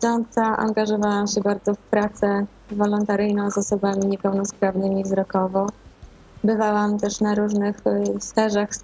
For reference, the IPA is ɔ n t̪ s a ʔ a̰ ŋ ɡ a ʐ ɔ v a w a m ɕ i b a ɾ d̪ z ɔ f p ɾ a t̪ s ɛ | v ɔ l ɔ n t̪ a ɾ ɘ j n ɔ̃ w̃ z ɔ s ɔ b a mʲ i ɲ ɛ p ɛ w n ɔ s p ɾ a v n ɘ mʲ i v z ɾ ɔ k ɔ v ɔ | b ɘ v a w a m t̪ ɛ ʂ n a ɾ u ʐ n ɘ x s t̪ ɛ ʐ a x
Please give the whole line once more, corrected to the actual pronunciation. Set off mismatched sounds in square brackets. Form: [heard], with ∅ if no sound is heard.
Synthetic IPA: ɔ n t̪ s a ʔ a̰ ŋ ɡ a ʐ ɔ v a w a m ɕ [ɛ] b a ɾ d̪ z ɔ f p ɾ a t̪ s ɛ | v ɔ l ɔ n t̪ a ɾ ɘ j n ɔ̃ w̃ z ɔ s ɔ b a mʲ i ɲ ɛ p ɛ w n ɔ s p ɾ a v n ɘ mʲ i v z ɾ ɔ k ɔ v ɔ | b ɘ v a w a m t̪ ɛ ʂ n a ɾ u ʐ n ɘ x s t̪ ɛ ʐ a x